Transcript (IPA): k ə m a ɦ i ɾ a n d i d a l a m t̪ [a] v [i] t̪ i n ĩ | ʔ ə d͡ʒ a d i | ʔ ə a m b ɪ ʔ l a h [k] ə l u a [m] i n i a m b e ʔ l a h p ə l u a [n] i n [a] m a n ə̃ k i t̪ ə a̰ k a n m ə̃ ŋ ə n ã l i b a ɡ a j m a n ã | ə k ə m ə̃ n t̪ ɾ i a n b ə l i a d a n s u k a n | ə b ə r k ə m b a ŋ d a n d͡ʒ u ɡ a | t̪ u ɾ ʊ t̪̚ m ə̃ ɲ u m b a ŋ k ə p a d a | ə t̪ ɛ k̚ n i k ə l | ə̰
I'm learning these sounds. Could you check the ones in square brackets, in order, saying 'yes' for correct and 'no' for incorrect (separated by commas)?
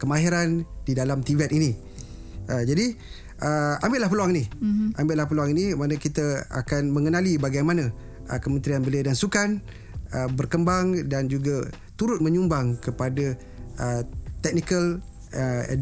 no, no, no, no, no, no